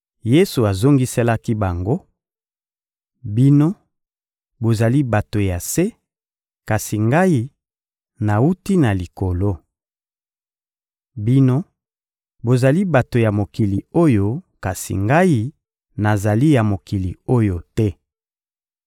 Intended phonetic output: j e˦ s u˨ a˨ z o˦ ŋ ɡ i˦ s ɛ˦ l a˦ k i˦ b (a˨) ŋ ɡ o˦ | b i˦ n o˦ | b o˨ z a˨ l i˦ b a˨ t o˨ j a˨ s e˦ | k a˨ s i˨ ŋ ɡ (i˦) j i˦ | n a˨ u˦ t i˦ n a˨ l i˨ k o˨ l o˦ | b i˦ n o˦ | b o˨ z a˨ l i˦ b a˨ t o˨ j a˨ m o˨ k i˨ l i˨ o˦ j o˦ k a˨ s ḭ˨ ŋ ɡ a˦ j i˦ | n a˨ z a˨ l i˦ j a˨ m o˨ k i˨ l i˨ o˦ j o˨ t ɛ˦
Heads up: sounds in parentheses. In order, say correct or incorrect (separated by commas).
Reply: correct, incorrect